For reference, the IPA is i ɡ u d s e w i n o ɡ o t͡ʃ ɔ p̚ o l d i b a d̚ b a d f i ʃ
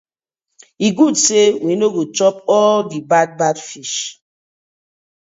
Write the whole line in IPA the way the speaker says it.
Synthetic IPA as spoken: i ɡ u d s e w i n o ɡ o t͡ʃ ɔ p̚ ɔ l d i b a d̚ b a d f i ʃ